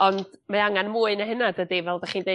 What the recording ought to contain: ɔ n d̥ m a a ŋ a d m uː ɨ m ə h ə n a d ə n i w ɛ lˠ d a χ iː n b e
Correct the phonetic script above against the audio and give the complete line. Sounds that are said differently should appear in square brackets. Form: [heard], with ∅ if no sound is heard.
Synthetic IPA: ɔ n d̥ m a a ŋ a [n] m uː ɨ [n] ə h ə n a d ə [d] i [v] ɛ lˠ d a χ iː n [d] e